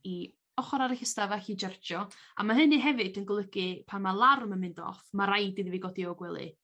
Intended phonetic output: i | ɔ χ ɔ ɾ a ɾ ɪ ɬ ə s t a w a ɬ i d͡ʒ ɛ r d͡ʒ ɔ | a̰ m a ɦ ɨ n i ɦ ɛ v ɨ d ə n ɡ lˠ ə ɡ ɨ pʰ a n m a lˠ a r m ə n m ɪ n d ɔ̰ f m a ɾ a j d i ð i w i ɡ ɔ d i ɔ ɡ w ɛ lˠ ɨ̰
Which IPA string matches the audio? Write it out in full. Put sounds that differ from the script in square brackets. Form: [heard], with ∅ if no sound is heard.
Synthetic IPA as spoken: i | ɔ χ ɔ ɾ a ɾ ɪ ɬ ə s t a [v] a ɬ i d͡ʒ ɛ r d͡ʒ ɔ | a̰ m a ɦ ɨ n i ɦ ɛ v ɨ d ə n ɡ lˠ ə ɡ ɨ pʰ a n m a lˠ a r m ə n m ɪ n d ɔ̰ f m a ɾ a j d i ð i [v] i ɡ ɔ d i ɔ ɡ w ɛ lˠ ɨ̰